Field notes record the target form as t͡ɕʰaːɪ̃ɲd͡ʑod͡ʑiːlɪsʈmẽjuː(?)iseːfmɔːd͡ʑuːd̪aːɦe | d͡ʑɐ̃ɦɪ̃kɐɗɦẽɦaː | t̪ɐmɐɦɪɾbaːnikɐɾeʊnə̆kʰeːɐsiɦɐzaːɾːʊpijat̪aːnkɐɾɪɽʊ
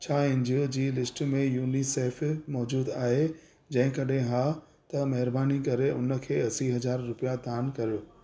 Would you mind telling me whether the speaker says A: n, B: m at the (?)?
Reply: A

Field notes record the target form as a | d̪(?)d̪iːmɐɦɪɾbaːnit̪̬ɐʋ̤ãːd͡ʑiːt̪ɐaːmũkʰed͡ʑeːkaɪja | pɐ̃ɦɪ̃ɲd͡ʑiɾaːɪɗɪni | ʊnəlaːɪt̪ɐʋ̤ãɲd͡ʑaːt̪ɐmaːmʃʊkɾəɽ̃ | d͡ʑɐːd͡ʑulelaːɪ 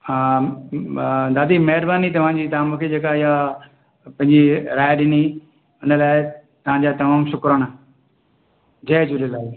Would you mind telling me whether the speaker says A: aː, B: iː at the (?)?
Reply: A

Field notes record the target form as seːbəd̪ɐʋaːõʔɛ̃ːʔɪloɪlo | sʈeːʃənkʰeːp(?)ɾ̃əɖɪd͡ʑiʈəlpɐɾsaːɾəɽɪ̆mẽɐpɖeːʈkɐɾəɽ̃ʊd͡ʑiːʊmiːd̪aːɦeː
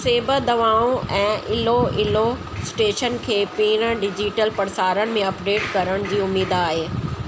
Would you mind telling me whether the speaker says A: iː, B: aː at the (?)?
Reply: A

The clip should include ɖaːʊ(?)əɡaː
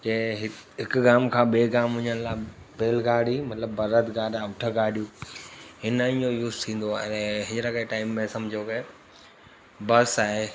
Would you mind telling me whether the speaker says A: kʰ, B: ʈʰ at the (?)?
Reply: B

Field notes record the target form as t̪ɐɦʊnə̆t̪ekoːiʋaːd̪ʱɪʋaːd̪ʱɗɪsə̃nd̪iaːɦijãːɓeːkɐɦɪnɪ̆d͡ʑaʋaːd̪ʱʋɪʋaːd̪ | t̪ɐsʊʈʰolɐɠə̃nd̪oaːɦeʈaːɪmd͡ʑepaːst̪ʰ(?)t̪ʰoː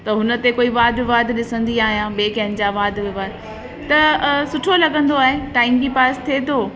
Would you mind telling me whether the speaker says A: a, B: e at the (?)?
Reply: B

